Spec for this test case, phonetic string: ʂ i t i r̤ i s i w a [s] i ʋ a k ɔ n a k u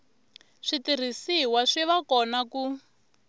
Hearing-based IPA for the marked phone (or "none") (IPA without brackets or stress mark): ʂ